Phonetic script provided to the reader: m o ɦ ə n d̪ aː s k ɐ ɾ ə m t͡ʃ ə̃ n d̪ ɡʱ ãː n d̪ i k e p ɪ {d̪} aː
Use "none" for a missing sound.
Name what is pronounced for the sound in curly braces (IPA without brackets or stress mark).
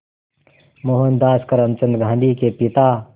t̪